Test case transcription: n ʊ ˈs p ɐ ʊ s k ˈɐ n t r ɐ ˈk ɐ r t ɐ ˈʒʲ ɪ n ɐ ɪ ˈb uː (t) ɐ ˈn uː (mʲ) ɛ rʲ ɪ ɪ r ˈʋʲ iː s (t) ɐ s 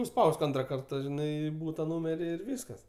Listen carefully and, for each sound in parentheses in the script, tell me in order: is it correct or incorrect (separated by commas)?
correct, correct, incorrect